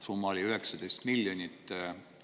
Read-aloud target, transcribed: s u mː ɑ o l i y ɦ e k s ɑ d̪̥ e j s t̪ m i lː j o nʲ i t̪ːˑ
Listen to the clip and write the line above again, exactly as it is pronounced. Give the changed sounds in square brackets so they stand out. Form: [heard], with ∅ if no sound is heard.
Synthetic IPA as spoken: s u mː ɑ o l i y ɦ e k s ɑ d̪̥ e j s t̪ m i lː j o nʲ i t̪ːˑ